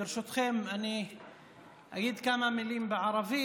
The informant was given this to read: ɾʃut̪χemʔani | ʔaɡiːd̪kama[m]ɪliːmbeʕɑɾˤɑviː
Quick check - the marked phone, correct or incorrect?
correct